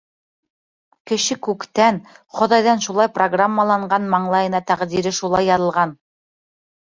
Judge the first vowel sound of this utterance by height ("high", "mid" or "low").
mid